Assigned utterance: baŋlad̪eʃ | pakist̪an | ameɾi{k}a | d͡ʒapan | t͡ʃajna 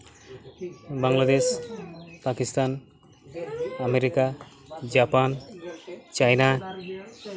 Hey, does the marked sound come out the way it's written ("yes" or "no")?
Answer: yes